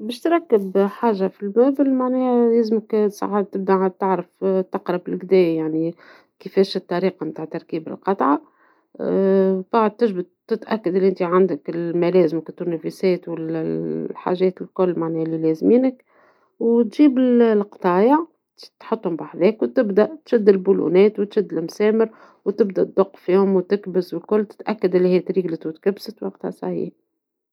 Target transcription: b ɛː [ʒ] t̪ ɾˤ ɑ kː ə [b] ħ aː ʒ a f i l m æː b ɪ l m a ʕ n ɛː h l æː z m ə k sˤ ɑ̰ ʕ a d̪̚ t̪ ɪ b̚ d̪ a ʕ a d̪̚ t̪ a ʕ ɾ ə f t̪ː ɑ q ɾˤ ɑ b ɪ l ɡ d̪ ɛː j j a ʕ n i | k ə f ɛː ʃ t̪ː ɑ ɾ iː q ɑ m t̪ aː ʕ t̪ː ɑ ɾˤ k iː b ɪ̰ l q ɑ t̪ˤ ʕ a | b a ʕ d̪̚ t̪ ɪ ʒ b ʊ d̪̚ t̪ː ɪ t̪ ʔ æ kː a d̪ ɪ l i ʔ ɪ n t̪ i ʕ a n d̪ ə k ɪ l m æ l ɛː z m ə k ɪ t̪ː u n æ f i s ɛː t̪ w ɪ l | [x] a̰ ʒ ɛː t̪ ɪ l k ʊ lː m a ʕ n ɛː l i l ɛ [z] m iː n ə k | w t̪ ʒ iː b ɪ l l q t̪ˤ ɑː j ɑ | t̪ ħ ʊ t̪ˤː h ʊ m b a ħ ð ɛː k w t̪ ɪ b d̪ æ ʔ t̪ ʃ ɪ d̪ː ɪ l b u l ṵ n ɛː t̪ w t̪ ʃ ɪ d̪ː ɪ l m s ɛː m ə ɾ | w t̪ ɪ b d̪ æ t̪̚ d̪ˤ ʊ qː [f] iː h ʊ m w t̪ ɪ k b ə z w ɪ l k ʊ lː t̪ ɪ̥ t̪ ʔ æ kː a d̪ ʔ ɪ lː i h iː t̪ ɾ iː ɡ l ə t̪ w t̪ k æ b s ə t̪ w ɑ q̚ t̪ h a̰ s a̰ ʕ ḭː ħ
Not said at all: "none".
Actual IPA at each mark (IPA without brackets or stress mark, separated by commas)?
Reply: ʃ, b, ħ, z, f